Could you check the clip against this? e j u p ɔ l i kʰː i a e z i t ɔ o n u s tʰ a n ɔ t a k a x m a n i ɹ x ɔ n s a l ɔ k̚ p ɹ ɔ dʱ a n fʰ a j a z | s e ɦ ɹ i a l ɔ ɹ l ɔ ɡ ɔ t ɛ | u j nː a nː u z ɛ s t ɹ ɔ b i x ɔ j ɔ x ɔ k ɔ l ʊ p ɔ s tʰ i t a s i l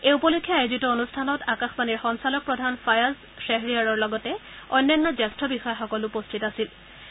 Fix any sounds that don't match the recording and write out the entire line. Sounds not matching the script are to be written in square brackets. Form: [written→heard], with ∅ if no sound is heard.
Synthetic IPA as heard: e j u p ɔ l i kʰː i a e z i t ɔ o n u s tʰ a n ɔ t a k a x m a n i ɹ x ɔ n s a l ɔ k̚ p ɹ ɔ dʱ a n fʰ a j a z | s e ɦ ɹ i a [l→ɹ] ɔ ɹ l ɔ ɡ ɔ t ɛ | [u→ɔ] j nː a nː [u→ɔ] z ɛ s t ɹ ɔ b i x ɔ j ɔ x ɔ k ɔ l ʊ p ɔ s tʰ i t a s i l